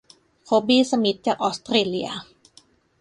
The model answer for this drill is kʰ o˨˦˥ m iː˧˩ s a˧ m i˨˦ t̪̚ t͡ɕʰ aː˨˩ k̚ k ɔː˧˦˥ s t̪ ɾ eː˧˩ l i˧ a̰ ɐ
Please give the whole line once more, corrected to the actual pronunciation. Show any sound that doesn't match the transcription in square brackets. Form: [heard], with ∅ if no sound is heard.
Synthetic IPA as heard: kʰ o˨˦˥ [b] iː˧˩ s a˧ m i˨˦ t̪̚ [t͡ɕ] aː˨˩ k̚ [ʔ] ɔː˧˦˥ s t̪ ɾ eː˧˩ l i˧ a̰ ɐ